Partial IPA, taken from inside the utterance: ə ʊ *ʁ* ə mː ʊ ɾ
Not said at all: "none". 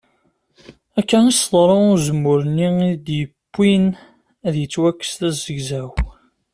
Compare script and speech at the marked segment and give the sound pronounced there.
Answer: z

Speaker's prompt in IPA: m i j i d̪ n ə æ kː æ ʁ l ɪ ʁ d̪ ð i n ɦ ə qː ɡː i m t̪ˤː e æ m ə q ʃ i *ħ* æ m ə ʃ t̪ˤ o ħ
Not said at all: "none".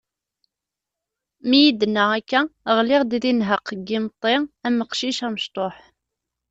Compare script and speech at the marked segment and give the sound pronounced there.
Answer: ʃ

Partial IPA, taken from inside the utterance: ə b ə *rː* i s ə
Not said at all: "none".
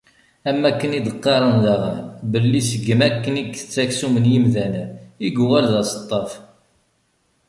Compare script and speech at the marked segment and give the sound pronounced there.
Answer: lː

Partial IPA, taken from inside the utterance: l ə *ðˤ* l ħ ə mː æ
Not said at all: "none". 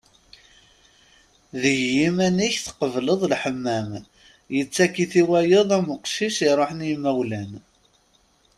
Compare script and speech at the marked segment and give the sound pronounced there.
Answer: ðˤ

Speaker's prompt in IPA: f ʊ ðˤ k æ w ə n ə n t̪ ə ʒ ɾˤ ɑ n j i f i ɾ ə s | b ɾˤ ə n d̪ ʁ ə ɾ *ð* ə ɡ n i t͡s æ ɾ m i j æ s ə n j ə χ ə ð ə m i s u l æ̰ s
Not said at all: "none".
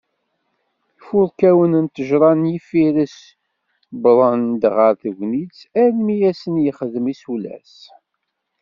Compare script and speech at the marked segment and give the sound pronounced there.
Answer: θ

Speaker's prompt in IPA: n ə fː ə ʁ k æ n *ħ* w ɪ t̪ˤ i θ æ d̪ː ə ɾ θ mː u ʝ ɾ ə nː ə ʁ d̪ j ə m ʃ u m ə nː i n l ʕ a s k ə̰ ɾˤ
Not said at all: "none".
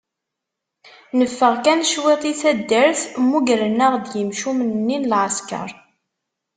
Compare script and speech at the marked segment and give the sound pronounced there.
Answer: ʃ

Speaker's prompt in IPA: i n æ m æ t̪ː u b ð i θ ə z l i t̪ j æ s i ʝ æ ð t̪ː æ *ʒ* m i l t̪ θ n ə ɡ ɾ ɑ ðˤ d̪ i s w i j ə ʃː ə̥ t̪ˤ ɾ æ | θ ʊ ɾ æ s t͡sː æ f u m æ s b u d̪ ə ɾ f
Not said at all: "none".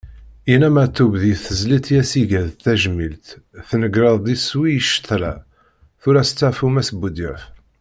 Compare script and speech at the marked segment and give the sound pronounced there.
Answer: ʒ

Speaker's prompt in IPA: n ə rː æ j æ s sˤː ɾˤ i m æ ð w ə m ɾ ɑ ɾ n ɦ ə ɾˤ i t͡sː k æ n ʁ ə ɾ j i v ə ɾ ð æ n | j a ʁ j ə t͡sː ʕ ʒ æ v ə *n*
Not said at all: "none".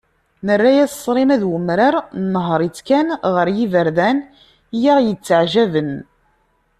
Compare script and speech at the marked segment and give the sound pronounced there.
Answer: n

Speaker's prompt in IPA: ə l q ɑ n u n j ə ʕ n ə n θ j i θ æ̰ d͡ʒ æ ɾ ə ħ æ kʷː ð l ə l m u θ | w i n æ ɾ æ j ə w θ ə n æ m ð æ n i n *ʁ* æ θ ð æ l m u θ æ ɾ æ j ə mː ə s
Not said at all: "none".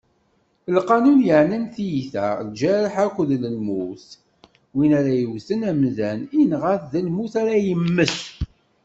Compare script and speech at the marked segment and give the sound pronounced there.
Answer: ʁ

